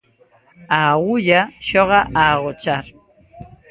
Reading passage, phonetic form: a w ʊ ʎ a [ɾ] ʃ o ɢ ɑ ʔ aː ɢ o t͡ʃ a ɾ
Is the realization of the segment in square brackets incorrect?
yes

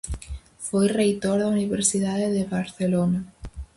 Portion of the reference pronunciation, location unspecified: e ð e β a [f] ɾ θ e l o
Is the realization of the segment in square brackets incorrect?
yes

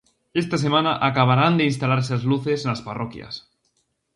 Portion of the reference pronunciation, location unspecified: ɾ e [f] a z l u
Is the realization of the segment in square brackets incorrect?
yes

